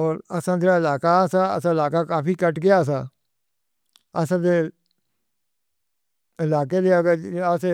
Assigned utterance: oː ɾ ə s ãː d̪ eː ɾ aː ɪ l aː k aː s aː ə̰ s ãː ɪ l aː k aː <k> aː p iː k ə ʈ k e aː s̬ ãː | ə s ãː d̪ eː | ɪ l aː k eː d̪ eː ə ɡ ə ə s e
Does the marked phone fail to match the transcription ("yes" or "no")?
no